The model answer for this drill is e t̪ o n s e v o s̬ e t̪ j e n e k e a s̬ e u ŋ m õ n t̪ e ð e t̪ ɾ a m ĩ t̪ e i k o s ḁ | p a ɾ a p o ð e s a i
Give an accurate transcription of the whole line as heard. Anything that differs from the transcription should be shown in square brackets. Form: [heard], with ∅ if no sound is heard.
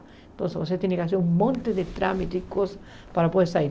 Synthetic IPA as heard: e t̪ o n s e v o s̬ e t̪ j e n e k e a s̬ e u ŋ m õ n t̪ e ð e t̪ ɾ a m [i] t̪ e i k o s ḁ | p a ɾ a p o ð e s a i

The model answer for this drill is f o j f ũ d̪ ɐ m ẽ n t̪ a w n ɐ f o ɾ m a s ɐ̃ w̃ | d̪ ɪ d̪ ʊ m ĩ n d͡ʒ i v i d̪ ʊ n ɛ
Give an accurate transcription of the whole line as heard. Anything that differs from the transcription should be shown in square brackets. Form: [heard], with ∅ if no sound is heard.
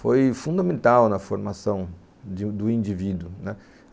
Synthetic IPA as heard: f o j f ũ d̪ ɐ m ẽ n t̪ a w n ɐ f o ɾ m a s ɐ̃ w̃ | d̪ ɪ d̪ ʊ [∅] ĩ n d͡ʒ i v i d̪ ʊ n ɛ

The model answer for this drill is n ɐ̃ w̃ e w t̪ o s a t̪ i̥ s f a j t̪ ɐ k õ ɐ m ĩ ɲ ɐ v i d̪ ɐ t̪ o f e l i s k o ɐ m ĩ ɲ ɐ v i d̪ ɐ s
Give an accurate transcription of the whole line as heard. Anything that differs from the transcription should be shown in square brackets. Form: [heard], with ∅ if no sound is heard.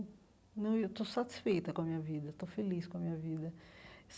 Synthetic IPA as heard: n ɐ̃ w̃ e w t̪ o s a t̪ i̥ s f [e] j t̪ ɐ k õ ɐ m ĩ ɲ ɐ v i d̪ ɐ t̪ o f e l i s k [õ] ɐ m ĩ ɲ ɐ v i d̪ ɐ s

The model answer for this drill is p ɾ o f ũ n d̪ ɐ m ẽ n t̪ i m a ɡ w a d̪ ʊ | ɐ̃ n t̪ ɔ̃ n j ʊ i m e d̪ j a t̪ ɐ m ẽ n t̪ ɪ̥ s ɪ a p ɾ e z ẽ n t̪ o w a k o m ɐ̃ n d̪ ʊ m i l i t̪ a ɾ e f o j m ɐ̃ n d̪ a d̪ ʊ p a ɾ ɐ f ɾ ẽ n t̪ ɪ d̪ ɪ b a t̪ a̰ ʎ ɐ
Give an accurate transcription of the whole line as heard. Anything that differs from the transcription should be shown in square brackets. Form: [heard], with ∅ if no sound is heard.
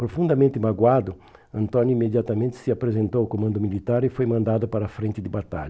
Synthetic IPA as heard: p ɾ o f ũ n d̪ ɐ m ẽ n t̪ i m a ɡ w a d̪ ʊ | ɐ̃ n t̪ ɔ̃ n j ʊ i m e d̪ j a t̪ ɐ m ẽ n t̪ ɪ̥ s ɪ a p ɾ e z ẽ n t̪ o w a k o m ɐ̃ n d̪ ʊ m i l i t̪ a ɾ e f o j m ɐ̃ n d̪ a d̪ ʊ p a ɾ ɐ f ɾ ẽ n t̪ ɪ d̪ ɪ b a t̪ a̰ ʎ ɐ

